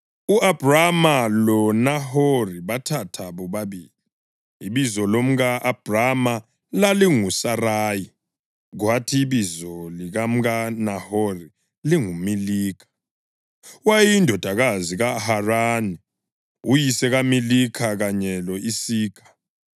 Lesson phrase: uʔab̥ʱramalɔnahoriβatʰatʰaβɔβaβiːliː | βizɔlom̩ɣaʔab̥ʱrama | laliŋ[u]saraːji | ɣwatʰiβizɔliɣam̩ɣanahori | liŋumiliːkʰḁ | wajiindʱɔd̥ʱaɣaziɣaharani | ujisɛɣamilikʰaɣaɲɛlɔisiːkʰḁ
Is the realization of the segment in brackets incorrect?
no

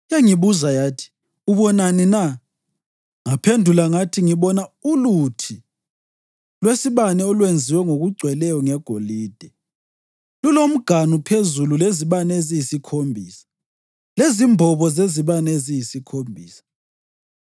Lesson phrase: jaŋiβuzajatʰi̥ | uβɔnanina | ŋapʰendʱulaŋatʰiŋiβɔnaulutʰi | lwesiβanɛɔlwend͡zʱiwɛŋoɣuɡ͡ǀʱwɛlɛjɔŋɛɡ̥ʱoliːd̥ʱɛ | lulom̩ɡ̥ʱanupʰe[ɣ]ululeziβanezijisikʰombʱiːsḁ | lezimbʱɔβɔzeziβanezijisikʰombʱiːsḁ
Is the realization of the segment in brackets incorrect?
yes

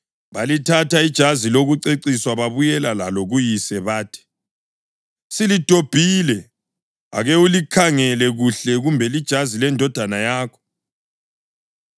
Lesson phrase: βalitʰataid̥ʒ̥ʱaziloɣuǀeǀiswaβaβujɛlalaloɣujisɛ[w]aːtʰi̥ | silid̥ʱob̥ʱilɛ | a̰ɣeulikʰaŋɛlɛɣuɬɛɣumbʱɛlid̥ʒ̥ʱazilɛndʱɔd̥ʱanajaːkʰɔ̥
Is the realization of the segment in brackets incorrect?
yes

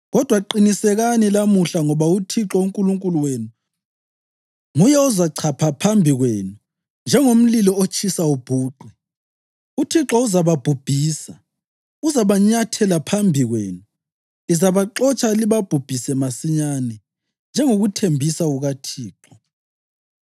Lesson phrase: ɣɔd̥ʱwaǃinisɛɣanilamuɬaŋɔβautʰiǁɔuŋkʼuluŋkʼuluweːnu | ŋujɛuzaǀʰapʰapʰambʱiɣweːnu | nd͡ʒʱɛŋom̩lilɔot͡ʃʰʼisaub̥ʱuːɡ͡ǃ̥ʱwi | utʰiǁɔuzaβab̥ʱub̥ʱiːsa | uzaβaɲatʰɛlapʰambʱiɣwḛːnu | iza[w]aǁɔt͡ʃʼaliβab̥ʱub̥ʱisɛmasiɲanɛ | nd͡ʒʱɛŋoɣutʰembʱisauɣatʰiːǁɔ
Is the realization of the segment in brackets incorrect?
yes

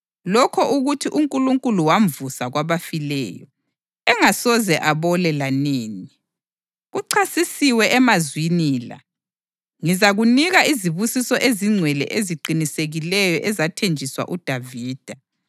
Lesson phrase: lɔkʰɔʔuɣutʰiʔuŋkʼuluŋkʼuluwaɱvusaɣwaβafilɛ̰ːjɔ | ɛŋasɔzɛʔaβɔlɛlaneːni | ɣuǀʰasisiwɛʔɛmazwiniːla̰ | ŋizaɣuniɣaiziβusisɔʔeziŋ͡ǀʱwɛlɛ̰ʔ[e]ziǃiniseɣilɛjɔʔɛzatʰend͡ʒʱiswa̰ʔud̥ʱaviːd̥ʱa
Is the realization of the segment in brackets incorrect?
no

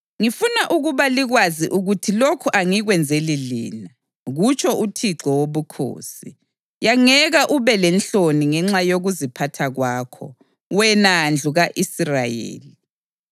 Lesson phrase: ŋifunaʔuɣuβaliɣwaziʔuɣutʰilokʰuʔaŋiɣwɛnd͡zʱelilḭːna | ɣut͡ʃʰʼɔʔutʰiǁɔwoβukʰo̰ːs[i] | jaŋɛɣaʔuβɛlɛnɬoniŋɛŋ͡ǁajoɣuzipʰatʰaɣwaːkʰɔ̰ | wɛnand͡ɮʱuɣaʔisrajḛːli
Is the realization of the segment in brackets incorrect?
no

